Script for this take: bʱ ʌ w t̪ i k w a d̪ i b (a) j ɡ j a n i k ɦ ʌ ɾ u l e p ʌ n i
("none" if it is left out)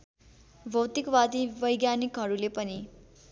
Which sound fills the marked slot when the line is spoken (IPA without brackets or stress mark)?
ʌ